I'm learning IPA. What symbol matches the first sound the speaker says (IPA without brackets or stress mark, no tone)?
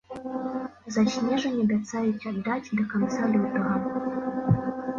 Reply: z